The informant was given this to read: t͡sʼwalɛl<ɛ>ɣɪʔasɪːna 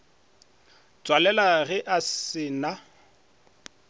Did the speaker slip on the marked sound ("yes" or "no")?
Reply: yes